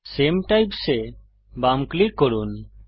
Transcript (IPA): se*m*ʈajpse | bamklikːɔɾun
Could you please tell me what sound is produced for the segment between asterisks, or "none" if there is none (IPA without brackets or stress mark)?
m